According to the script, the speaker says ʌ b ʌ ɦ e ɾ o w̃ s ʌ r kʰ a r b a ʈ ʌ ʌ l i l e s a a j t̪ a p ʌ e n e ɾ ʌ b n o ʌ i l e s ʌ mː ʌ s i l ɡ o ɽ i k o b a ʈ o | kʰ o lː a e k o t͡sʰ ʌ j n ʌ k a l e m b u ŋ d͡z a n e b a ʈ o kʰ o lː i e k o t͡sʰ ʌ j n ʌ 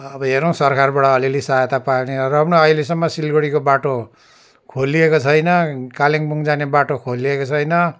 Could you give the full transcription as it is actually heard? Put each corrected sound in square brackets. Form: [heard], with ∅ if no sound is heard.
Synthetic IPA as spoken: ʌ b ʌ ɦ e ɾ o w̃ s ʌ r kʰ a r b a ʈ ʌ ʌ l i l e s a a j t̪ a p [a] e n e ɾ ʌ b n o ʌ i l e s ʌ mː ʌ s i l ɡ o ɽ i k o b a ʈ o | kʰ o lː [i] e k o t͡sʰ ʌ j n ʌ k a l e [ŋ] b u ŋ d͡z a n e b a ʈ o kʰ o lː i e k o t͡sʰ ʌ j n ʌ